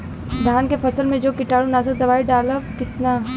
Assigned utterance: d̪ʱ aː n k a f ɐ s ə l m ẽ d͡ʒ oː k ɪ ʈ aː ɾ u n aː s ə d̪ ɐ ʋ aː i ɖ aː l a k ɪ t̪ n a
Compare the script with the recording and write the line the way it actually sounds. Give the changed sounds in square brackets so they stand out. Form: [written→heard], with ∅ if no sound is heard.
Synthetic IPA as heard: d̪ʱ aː n k [a→e] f ɐ s ə l m ẽ d͡ʒ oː k ɪ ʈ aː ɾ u n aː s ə d̪ ɐ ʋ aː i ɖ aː l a k ɪ t̪ n a